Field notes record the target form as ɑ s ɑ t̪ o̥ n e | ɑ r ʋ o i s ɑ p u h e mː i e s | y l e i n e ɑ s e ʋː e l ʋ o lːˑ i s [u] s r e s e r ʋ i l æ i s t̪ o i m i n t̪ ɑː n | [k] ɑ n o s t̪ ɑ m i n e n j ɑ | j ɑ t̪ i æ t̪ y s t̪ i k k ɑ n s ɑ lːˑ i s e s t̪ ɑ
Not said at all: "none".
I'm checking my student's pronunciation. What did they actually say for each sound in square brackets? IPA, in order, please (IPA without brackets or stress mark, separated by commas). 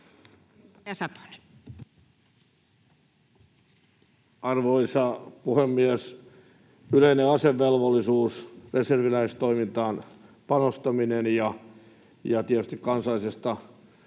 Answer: uː, p